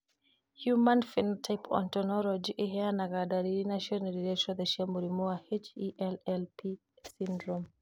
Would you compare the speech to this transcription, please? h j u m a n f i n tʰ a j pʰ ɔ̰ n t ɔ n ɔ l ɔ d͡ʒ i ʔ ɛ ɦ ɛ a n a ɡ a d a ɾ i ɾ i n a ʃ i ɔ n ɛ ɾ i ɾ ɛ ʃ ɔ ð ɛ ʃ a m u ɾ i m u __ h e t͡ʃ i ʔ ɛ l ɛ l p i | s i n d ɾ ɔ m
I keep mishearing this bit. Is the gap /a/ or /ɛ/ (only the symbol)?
a